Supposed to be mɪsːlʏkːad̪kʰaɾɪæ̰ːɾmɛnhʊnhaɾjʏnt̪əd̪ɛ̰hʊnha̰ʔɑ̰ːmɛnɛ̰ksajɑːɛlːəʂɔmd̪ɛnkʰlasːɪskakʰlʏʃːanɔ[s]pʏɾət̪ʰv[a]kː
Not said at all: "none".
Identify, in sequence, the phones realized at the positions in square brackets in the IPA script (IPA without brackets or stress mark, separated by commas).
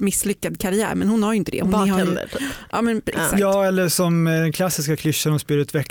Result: s, ɛ